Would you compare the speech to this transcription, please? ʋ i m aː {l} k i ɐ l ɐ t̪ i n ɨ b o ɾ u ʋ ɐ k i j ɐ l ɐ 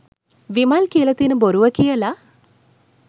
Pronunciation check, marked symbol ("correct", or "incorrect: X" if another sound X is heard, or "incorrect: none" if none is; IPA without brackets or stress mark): correct